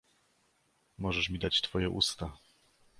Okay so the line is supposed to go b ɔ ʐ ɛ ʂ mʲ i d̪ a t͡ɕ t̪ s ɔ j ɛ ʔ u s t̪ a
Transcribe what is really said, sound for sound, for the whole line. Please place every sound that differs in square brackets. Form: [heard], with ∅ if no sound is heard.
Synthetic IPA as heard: [m] ɔ ʐ ɛ ʂ mʲ i d̪ a t͡ɕ t̪ [f] ɔ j ɛ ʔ u s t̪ a